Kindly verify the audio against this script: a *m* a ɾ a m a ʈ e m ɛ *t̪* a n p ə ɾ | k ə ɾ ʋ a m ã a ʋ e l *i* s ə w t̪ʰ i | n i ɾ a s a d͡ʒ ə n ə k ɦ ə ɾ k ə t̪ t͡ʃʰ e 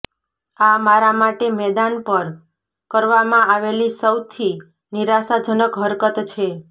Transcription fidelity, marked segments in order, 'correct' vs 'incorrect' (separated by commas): correct, incorrect, correct